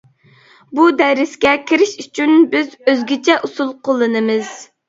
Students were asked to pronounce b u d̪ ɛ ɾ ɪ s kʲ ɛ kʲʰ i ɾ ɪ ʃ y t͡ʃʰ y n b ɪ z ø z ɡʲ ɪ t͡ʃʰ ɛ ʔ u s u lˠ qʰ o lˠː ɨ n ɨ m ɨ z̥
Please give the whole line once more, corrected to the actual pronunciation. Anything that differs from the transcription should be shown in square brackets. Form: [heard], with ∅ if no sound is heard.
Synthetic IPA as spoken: b u d̪ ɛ ɾ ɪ s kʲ ɛ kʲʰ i ɾ ɪ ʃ y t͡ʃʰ y n b ɪ z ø z ɡʲ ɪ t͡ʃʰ ɛ ʔ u s u lˠ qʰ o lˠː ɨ n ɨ m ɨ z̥